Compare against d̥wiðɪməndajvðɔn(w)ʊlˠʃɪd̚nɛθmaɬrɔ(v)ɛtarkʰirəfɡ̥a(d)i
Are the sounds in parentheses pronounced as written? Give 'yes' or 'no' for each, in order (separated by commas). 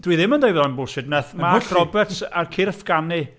no, no, no